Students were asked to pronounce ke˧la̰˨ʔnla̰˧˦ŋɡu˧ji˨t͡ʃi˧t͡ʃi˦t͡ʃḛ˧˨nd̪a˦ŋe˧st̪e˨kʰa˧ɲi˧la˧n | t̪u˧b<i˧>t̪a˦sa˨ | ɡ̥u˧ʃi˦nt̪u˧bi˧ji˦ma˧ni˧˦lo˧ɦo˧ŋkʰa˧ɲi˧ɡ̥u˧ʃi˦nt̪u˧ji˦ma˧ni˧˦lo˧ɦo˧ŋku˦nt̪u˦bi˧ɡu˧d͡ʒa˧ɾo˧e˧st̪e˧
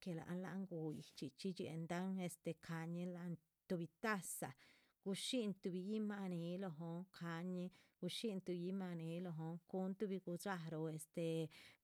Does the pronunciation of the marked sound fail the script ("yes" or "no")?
no